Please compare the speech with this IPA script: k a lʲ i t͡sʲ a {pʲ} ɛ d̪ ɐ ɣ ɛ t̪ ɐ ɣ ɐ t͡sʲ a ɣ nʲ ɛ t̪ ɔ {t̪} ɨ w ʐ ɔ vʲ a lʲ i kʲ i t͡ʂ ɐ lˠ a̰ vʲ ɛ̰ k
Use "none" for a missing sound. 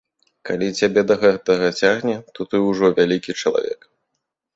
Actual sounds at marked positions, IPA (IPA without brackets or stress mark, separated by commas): bʲ, t̪